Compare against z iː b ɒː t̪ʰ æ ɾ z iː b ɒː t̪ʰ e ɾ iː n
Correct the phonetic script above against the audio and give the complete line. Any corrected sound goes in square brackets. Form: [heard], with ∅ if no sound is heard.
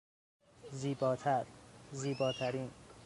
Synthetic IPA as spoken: z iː b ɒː t̪ʰ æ ɾ z iː b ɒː t̪ʰ [æ] ɾ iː n

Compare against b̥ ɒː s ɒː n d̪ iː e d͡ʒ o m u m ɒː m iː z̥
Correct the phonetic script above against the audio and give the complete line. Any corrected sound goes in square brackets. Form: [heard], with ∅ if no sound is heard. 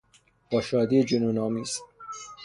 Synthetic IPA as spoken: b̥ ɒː [ʃ] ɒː [∅] d̪ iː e d͡ʒ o [n] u [n] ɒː m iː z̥

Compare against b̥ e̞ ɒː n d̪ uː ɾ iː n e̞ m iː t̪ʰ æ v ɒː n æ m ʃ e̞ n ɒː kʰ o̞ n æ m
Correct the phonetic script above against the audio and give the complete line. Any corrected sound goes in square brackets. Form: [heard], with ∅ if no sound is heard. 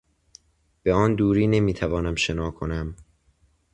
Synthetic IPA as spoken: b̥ e̞ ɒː n d̪ uː ɾ iː n e̞ m iː t̪ʰ æ v ɒː n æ m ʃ e̞ n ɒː kʰ o̞ n æ m

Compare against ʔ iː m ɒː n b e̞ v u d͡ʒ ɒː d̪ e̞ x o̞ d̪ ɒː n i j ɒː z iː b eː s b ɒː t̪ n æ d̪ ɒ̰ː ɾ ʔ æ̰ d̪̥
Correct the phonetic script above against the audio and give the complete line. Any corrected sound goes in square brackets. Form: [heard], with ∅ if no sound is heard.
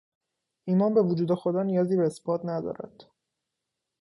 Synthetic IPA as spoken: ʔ iː m ɒː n b e̞ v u d͡ʒ [uː] d̪ e̞ x o̞ d̪ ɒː n i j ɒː z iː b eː s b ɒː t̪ n æ d̪ ɒ̰ː ɾ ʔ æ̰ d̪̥

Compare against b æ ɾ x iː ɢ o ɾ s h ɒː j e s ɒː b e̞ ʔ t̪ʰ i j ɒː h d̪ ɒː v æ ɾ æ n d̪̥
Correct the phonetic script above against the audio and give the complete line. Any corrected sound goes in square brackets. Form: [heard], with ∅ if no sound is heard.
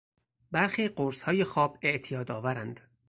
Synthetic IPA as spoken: b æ ɾ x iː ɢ o ɾ s h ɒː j e [x] ɒː b e̞ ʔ t̪ʰ i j ɒː [∅] d̪ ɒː v æ ɾ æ n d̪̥

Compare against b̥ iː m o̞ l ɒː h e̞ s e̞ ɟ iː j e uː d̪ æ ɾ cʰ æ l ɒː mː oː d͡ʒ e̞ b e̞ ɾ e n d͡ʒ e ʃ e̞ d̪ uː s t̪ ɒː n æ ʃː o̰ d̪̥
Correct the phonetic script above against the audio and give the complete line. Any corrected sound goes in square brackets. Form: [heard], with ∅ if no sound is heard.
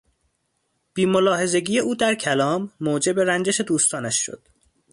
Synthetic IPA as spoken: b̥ iː m o̞ l ɒː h e̞ [z] e̞ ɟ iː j e uː d̪ æ ɾ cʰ æ l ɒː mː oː d͡ʒ e̞ b e̞ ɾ [æ] n d͡ʒ e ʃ e̞ d̪ uː s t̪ ɒː n æ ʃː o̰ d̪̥

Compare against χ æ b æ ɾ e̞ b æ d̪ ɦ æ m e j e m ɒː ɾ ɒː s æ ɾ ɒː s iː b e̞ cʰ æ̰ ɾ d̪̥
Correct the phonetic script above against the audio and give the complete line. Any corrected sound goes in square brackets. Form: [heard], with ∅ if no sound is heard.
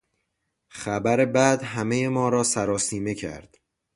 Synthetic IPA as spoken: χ æ b æ ɾ e̞ b æ d̪ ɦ æ m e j e m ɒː ɾ ɒː s æ ɾ ɒː s iː [m] e̞ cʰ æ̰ ɾ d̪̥

